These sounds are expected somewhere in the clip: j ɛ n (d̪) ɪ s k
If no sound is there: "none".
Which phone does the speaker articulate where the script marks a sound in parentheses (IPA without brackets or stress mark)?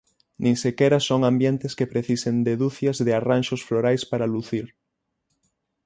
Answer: t̪